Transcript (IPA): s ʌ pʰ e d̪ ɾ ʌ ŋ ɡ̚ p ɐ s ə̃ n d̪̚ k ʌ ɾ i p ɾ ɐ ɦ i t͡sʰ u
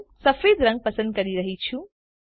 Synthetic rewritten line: s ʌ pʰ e d̪ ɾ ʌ ŋ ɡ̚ p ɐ s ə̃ n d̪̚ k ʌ ɾ i ɾ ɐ ɦ i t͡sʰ u